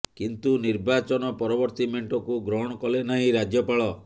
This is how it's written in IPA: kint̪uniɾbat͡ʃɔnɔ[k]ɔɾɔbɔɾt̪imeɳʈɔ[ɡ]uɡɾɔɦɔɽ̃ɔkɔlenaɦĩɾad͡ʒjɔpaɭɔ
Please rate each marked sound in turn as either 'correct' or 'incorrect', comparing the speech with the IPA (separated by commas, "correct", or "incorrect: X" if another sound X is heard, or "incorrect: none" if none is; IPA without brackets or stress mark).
incorrect: p, incorrect: k